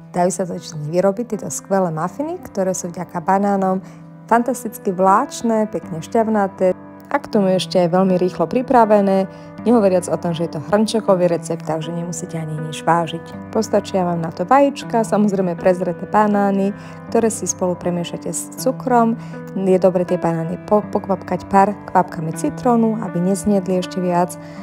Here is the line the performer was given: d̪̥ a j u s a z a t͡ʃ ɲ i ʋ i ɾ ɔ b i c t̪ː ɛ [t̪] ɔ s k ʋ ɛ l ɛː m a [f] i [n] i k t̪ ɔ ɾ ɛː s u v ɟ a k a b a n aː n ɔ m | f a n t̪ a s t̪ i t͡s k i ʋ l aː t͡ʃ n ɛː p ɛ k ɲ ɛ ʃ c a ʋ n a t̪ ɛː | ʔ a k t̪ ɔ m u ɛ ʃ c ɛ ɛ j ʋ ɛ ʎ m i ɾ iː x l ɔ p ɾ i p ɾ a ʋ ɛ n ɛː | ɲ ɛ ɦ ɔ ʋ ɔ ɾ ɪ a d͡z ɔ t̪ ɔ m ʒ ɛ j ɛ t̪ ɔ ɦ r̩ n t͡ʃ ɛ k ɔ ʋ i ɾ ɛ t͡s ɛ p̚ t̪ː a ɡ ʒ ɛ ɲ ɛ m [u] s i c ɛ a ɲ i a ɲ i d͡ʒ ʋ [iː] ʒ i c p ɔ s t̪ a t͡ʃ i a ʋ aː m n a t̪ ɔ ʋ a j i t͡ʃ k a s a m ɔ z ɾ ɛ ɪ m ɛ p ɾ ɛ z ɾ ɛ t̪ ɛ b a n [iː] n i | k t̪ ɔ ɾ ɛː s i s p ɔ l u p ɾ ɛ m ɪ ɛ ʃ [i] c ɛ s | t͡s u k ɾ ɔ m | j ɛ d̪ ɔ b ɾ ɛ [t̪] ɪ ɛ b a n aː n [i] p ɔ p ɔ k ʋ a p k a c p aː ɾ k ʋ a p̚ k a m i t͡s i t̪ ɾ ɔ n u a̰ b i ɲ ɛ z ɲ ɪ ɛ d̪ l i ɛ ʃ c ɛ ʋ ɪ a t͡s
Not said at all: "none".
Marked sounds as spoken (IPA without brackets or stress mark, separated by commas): t̪, f, n, u, aː, aː, a, t̪, i